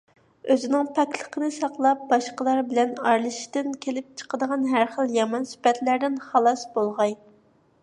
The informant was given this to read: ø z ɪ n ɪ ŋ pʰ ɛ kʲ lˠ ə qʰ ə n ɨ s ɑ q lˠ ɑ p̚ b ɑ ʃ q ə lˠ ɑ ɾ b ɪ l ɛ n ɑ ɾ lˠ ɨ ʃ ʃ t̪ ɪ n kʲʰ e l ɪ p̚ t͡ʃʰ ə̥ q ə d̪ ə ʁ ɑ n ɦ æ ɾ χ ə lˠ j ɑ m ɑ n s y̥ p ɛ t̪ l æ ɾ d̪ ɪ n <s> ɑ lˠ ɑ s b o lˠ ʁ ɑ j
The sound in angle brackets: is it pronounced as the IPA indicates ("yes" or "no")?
no